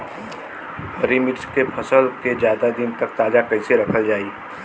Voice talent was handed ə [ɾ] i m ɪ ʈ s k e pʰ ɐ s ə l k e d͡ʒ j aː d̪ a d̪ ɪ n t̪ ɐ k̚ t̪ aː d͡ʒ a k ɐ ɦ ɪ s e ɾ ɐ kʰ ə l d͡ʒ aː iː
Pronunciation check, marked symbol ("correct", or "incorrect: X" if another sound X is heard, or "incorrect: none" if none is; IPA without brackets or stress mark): correct